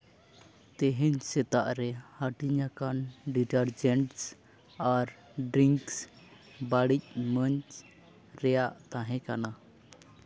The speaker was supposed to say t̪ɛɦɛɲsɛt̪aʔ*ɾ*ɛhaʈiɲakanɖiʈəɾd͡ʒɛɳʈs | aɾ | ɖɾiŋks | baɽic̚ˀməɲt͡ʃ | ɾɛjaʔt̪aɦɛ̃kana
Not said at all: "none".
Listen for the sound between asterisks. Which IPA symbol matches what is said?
ɾ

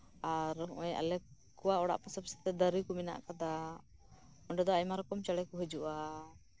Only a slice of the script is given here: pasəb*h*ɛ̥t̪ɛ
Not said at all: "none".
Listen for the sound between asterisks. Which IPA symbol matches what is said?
s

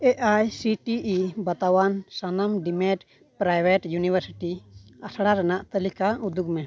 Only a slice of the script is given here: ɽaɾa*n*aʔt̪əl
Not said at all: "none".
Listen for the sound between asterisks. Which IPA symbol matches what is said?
n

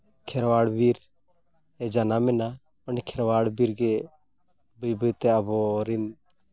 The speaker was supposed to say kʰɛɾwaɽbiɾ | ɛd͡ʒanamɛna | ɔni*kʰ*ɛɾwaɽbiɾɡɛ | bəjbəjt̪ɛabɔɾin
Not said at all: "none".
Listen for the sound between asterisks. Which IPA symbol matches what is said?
kʰ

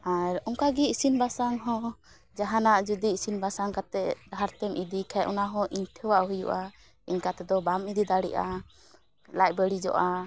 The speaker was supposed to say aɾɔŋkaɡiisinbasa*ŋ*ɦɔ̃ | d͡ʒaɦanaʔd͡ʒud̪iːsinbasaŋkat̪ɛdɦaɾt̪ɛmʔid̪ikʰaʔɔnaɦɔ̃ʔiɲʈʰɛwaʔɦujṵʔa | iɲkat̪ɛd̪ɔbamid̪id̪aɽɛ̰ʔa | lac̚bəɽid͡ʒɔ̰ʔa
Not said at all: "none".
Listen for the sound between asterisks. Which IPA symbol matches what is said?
ŋ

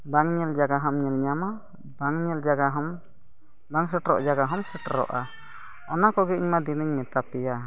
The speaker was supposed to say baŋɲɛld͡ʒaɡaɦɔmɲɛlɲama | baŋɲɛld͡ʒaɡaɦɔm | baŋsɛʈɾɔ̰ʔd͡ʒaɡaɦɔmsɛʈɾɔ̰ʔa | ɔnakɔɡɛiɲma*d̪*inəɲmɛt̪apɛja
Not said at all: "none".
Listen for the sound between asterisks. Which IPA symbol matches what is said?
d̪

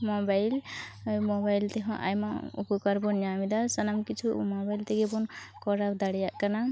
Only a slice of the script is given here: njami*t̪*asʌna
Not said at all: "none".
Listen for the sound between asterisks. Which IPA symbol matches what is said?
d̪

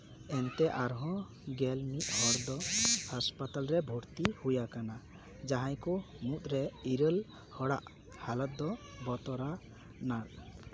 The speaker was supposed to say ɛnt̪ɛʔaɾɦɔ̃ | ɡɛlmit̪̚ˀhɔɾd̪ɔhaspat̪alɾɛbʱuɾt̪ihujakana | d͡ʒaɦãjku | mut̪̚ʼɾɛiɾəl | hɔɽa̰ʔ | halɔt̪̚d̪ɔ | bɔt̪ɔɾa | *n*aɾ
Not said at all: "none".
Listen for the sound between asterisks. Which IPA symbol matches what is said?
n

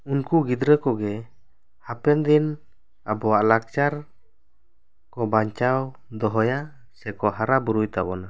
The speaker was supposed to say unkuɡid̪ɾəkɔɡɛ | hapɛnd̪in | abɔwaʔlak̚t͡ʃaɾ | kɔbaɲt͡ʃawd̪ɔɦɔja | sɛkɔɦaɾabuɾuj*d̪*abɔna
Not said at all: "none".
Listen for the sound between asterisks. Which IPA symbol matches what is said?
t̪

